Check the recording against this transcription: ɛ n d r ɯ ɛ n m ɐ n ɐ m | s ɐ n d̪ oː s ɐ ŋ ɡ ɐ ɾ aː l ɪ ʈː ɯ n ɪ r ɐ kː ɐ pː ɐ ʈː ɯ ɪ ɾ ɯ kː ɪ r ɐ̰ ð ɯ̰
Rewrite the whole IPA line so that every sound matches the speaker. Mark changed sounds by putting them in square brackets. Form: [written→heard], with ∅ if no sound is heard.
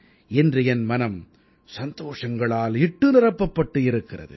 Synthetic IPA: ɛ n d r ɯ ɛ n m ɐ n ɐ m | s ɐ n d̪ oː [s→ʂ] ɐ ŋ ɡ ɐ [ɾ→ɭ] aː l ɪ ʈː ɯ n ɪ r ɐ [kː→pː] ɐ pː ɐ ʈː ɯ ɪ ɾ ɯ kː ɪ r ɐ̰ ð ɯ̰

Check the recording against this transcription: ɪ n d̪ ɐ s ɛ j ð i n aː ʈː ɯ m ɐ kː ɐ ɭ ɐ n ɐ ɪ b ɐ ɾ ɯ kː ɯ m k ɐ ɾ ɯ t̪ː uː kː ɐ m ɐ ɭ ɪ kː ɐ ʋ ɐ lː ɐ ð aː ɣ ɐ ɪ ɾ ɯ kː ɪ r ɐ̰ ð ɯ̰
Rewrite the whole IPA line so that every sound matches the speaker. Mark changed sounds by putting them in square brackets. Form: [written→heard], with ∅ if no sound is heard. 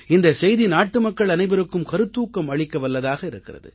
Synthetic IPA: ɪ n d̪ ɐ s ɛ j ð i n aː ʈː ɯ m ɐ kː ɐ ɭ ɐ n ɐ ɪ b ɐ ɾ ɯ kː ɯ m k ɐ ɾ ɯ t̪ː uː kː ɐ m ɐ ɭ ɪ kː ɐ ʋ ɐ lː ɐ ð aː ɣ ɐ ɪ ɾ ɯ kː ɪ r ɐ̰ ð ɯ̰

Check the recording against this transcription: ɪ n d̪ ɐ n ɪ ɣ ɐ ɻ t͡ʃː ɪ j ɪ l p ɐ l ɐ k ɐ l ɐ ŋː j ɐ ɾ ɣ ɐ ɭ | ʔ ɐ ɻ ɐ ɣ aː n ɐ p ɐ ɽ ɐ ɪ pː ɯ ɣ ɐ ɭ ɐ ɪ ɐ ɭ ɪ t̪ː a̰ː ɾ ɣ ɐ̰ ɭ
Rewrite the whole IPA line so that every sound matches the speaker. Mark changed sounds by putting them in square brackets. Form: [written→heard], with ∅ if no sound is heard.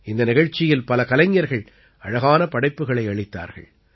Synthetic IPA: ɪ n d̪ ɐ n ɪ ɣ ɐ ɻ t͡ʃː ɪ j ɪ l p ɐ l ɐ k ɐ l ɐ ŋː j ɐ ɾ ɣ ɐ ɭ | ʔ ɐ ɻ ɐ ɣ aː n ɐ p ɐ ɽ ɐ ɪ pː ɯ ɣ ɐ ɭ ɐ ɪ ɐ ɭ ɪ t̪ː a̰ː ɾ ɣ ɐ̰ ɭ

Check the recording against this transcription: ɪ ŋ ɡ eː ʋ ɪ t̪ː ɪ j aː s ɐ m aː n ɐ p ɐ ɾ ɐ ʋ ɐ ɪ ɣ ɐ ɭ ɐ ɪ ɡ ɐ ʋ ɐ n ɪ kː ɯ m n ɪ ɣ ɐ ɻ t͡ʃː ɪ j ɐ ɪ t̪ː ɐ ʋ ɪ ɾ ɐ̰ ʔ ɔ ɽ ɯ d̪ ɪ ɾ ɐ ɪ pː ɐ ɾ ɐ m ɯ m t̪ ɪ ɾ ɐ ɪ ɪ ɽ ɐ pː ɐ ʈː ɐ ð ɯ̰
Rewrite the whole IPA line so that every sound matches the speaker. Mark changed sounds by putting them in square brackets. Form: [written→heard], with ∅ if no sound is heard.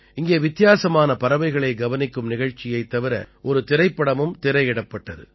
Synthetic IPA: ɪ ŋ ɡ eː ʋ ɪ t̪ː ɪ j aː s ɐ m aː n ɐ p ɐ ɾ ɐ ʋ ɐ ɪ ɣ ɐ ɭ ɐ ɪ ɡ ɐ ʋ ɐ n ɪ kː ɯ m n ɪ ɣ ɐ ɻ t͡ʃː ɪ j ɐ ɪ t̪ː ɐ ʋ ɪ ɾ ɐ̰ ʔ ɔ [ɽ→ɾ] ɯ [d̪→t̪] ɪ ɾ ɐ ɪ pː ɐ [ɾ→ɽ] ɐ m ɯ m t̪ ɪ ɾ ɐ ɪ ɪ ɽ ɐ pː ɐ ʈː ɐ ð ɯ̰

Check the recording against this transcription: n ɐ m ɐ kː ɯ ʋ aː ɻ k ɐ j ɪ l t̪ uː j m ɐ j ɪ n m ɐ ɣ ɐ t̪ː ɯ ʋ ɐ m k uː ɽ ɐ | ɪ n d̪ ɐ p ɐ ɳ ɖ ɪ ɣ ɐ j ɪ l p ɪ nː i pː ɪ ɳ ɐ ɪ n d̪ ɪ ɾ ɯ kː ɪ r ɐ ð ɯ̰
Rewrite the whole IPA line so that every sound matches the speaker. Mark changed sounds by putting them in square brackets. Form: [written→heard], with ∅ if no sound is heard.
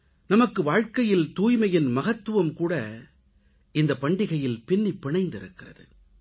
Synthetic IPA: n ɐ m ɐ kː ɯ ʋ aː ɻ k ɐ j ɪ l t̪ uː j m ɐ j ɪ n m ɐ ɣ ɐ t̪ː ɯ ʋ ɐ m k uː ɽ ɐ | ɪ n d̪ ɐ p ɐ ɳ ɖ ɪ ɣ ɐ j ɪ l p ɪ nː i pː ɪ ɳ ɐ ɪ n d̪ ɪ ɾ ɯ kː ɪ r ɐ ð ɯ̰

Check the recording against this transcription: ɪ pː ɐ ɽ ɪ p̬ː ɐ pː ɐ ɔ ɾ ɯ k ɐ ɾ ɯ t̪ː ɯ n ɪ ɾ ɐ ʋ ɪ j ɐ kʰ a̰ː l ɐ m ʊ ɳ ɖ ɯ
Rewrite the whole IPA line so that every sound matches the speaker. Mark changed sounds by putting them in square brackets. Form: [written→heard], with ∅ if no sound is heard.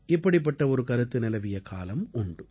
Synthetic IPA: ɪ pː ɐ ɽ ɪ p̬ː ɐ [pː→ʈː] ɐ ɔ ɾ ɯ k ɐ ɾ ɯ t̪ː ɯ n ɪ [ɾ→l] ɐ ʋ ɪ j ɐ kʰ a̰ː l ɐ m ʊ ɳ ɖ ɯ

